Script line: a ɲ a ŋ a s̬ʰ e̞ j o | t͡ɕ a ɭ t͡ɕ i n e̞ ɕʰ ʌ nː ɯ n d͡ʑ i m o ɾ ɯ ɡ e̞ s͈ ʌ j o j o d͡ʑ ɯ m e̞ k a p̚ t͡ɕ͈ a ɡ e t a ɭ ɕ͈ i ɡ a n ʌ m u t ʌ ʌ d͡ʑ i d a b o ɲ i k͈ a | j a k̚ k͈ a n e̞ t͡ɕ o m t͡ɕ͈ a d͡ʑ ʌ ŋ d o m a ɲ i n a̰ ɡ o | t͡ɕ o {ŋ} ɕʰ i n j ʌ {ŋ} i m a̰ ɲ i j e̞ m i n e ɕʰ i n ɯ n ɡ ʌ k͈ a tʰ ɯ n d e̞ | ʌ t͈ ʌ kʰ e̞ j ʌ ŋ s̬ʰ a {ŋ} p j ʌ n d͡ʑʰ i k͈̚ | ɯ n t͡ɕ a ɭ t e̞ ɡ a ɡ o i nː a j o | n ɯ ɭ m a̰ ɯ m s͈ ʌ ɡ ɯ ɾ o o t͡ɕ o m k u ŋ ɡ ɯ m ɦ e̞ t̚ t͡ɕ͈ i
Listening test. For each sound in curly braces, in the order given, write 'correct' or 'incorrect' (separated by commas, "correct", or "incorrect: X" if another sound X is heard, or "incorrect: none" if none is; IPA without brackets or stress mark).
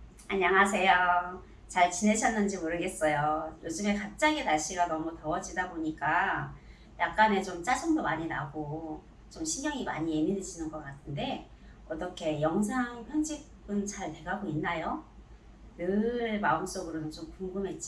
incorrect: m, correct, correct